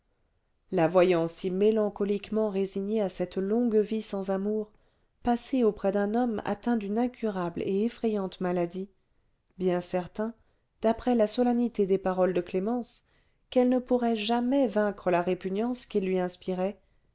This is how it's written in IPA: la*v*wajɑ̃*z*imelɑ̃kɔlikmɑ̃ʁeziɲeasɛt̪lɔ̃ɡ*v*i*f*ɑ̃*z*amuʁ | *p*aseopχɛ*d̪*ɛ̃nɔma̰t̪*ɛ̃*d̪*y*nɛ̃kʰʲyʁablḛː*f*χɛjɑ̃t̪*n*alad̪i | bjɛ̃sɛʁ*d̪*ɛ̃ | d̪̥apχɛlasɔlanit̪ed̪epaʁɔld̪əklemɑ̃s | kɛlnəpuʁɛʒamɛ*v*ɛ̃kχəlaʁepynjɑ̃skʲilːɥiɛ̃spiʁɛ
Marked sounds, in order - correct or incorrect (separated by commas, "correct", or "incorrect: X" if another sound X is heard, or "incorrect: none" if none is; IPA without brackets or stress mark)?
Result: correct, incorrect: s, correct, incorrect: s, correct, correct, correct, correct, correct, correct, incorrect: m, incorrect: t̪, correct